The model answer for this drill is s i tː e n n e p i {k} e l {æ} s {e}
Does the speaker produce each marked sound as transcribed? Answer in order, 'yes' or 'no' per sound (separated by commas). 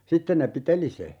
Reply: no, no, yes